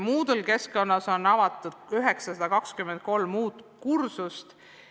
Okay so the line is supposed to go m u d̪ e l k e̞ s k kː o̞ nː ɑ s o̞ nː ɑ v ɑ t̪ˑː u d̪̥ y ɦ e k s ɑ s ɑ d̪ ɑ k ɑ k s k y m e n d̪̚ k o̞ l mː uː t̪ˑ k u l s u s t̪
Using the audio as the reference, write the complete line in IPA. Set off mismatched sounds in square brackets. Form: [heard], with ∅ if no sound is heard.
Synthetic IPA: m [uː] d̪ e l k e̞ s k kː o̞ nː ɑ s o̞ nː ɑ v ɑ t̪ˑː u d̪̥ y ɦ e k s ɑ s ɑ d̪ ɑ k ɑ k s k y m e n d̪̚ k o̞ l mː uː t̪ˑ k u [r] s u s t̪